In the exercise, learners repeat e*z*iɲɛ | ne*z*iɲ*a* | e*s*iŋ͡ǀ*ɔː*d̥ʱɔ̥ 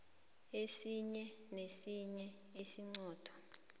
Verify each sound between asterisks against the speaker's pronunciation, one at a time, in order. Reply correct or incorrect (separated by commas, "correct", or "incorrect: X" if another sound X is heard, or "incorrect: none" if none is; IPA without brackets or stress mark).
incorrect: s, incorrect: s, incorrect: ɛ, correct, correct